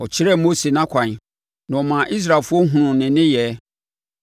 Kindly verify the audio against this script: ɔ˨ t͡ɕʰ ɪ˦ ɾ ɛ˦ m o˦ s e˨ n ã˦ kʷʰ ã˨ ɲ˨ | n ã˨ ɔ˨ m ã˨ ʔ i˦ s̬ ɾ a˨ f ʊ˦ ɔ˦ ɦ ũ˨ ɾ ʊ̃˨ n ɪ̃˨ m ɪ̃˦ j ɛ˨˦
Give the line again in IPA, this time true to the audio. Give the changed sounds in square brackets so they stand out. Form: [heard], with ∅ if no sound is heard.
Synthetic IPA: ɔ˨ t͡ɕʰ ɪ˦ ɾ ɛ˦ m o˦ s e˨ n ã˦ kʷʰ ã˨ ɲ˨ | n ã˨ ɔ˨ m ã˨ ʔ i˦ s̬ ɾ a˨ f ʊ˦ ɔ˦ ɦ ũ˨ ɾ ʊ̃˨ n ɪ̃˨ [n] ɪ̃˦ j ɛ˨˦